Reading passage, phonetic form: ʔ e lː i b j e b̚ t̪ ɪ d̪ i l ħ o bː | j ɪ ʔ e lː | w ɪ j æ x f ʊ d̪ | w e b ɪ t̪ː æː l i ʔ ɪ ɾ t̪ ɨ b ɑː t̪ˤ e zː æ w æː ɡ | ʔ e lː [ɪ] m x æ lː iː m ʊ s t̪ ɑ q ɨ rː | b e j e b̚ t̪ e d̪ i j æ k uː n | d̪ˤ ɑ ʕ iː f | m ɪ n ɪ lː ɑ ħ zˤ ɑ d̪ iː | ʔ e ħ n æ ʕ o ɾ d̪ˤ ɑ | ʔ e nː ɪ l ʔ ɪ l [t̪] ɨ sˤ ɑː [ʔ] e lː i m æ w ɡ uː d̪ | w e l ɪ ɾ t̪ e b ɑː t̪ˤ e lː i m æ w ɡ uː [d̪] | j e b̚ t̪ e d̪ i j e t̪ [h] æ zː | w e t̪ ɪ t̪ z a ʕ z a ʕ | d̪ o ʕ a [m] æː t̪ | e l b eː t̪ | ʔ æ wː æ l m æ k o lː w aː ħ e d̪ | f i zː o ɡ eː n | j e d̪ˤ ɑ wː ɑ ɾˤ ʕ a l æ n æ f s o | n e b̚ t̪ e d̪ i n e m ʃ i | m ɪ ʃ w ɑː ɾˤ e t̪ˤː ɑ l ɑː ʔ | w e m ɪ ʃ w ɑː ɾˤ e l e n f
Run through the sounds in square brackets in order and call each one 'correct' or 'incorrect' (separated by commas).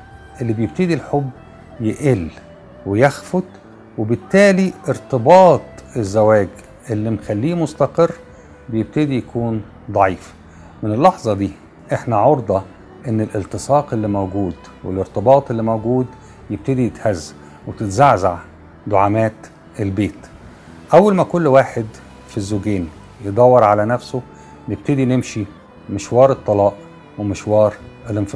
incorrect, correct, incorrect, correct, correct, correct